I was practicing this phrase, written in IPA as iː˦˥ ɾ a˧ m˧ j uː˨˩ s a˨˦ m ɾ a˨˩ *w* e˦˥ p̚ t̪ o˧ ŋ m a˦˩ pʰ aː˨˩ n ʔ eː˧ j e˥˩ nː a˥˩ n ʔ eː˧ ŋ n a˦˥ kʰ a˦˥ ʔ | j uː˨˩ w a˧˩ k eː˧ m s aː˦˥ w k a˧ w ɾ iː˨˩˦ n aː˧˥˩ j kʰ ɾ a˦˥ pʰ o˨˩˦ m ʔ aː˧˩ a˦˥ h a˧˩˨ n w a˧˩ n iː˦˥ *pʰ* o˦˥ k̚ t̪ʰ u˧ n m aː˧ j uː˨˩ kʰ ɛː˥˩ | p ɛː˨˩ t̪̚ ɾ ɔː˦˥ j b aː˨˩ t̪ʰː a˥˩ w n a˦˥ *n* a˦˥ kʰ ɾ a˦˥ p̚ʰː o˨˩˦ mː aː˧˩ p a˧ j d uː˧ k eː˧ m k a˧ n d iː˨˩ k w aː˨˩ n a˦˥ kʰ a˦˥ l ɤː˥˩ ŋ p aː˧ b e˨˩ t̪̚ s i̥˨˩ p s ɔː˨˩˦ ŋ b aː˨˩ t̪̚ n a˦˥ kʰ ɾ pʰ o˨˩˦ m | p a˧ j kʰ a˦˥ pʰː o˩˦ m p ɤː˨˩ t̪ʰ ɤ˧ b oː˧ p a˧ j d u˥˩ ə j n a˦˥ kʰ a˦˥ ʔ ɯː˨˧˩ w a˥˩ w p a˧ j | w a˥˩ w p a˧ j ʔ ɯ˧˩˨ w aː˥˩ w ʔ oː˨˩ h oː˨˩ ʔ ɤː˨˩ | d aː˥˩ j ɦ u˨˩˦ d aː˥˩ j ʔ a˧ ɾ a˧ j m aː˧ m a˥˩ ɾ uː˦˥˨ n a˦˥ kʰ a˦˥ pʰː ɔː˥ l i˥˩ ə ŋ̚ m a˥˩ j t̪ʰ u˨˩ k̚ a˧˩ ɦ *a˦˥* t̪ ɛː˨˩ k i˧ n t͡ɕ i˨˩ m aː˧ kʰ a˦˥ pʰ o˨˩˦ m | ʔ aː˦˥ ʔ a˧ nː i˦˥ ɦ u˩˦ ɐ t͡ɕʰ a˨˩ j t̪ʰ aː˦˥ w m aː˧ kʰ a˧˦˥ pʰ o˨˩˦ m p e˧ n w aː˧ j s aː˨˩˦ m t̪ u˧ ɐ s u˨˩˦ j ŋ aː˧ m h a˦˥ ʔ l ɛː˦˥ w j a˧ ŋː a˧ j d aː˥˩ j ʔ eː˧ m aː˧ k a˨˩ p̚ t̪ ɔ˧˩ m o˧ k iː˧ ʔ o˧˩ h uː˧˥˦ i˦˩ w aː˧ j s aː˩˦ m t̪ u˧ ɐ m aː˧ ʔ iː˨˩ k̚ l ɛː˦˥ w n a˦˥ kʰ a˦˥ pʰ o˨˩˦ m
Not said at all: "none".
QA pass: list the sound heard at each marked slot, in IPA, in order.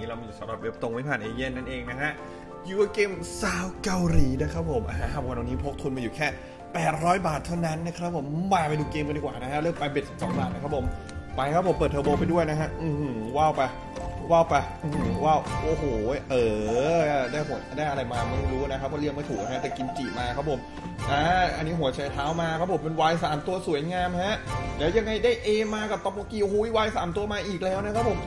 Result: w, pʰ, nː, a˦˥

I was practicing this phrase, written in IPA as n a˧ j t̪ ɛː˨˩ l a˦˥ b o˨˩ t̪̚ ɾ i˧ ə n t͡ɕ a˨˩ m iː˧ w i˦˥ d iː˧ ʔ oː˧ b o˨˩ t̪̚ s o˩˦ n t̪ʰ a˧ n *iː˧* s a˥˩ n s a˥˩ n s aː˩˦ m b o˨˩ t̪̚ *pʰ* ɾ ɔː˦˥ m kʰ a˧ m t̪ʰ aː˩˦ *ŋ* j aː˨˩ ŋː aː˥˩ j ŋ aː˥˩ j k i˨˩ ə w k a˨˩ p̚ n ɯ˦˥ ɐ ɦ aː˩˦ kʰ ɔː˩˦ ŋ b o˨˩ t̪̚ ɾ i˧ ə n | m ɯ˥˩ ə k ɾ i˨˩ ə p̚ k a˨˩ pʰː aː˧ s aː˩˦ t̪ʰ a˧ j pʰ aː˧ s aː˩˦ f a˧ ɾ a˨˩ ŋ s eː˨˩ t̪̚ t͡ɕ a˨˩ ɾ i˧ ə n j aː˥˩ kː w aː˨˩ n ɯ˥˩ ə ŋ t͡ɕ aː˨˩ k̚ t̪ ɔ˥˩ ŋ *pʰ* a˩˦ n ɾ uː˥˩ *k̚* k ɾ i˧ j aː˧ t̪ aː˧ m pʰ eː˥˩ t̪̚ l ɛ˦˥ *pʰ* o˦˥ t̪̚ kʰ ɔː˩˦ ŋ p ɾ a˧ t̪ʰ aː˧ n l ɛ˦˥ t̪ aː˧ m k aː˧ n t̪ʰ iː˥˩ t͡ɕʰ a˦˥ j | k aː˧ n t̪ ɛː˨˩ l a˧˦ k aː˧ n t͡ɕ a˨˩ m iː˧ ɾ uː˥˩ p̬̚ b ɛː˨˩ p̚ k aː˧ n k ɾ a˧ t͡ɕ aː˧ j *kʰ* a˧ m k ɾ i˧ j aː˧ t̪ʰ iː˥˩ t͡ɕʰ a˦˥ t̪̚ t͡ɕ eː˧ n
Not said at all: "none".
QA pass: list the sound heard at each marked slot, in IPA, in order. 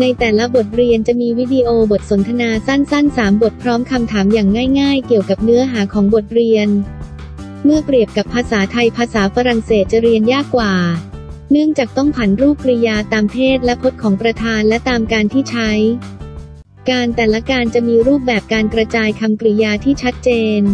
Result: aː˧, pʰ, m, pʰ, p̚, pʰ, kʰ

